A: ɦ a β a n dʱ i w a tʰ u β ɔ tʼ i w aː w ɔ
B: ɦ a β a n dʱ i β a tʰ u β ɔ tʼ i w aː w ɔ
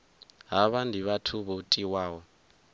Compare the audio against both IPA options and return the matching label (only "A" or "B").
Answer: B